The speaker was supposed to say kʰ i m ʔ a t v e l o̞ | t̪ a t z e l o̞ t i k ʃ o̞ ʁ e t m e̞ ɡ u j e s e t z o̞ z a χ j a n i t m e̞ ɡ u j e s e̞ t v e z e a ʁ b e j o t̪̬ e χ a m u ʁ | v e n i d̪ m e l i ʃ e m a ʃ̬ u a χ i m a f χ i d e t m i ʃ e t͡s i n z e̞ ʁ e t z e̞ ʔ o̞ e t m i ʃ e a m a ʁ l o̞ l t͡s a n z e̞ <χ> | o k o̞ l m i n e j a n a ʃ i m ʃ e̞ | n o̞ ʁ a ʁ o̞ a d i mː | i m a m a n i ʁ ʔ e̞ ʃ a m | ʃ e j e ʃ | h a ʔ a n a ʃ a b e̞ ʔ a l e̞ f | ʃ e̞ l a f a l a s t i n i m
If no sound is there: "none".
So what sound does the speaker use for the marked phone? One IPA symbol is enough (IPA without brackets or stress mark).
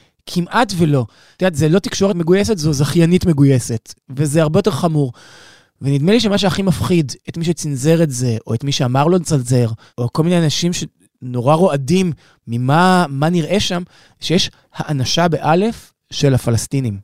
ʁ